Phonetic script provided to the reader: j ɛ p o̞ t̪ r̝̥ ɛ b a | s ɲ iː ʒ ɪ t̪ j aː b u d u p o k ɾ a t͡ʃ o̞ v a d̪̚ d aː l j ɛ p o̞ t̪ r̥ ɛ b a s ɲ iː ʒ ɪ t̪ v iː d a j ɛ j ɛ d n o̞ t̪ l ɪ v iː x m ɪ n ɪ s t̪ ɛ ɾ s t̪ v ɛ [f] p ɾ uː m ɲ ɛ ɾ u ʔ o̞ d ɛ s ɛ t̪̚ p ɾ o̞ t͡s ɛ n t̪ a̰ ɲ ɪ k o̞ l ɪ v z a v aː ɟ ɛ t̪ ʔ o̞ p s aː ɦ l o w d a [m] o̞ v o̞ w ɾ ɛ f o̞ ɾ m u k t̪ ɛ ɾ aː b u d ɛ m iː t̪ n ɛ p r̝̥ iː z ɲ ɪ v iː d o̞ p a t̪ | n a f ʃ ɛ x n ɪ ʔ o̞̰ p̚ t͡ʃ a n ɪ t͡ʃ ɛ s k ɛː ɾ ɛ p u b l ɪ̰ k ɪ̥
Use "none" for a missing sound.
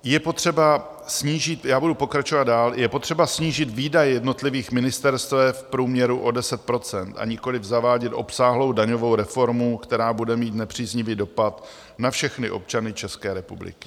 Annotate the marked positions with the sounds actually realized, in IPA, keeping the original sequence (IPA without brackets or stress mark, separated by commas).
f, ɲ